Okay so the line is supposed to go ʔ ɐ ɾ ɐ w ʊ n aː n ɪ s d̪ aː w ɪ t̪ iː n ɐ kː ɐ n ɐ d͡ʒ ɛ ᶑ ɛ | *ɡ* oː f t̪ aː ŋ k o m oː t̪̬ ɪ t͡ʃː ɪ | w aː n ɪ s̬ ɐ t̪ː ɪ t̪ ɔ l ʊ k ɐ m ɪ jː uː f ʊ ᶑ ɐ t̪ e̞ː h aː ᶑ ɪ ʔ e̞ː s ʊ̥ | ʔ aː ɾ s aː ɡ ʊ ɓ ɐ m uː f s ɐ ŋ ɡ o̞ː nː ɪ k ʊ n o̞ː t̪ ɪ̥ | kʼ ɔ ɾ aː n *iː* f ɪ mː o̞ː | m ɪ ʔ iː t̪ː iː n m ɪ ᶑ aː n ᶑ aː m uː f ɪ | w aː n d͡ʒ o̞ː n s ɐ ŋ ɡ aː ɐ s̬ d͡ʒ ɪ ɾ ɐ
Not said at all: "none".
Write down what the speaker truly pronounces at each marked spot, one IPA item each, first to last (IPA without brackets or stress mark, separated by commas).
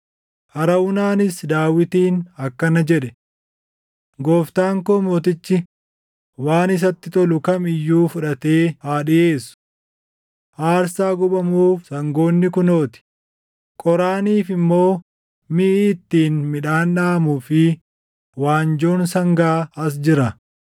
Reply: ɡ, iː